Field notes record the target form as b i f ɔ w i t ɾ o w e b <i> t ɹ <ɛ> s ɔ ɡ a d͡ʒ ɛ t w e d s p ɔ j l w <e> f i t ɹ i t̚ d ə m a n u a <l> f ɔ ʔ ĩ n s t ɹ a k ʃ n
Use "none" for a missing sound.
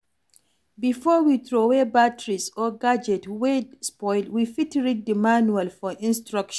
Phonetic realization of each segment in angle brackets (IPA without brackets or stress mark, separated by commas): a, i, i, l